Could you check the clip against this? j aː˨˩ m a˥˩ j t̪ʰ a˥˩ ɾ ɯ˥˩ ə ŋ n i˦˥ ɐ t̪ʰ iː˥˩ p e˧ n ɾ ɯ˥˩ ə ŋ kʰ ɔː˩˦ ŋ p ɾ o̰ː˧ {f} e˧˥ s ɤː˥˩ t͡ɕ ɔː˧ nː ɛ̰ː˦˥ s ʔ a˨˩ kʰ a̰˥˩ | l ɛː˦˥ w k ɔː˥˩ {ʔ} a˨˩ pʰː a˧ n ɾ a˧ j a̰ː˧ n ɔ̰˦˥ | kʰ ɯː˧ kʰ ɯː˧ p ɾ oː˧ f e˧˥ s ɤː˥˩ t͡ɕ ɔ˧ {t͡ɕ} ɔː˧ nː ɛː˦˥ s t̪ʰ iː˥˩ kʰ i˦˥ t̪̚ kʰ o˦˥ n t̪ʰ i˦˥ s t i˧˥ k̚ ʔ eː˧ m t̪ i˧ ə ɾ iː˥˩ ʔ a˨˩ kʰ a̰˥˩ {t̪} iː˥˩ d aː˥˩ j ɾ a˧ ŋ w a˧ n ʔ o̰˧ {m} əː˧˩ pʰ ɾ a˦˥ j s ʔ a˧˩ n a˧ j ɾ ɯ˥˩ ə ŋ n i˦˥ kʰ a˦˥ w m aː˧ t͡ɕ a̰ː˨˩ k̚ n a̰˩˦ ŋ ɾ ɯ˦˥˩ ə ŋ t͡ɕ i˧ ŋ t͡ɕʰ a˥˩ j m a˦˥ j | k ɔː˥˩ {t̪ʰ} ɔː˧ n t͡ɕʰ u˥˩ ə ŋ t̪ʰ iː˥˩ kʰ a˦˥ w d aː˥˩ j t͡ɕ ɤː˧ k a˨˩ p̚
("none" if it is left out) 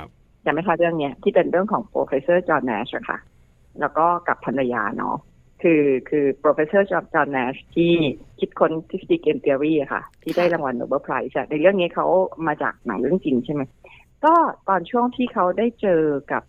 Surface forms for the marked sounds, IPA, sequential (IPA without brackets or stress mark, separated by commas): f, k, t͡ɕ, t̪ʰ, b, t̪